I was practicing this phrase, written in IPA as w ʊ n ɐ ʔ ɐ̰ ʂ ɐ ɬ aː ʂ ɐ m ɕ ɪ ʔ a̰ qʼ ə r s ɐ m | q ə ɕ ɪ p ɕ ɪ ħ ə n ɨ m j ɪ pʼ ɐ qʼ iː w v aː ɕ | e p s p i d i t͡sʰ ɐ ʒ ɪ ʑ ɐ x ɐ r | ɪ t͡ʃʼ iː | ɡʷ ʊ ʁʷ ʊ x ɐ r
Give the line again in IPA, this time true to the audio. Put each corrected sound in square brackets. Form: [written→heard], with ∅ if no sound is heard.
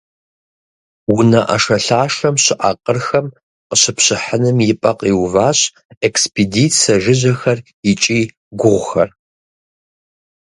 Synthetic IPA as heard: w ʊ n ɐ ʔ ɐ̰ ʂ ɐ ɬ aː ʂ ɐ m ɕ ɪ ʔ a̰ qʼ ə r [s→x] ɐ m | q ə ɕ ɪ p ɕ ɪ ħ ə n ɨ m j ɪ pʼ ɐ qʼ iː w v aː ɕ | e [p→k] s p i d i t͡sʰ ɐ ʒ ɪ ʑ ɐ x ɐ r | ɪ t͡ʃʼ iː | ɡʷ ʊ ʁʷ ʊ x ɐ r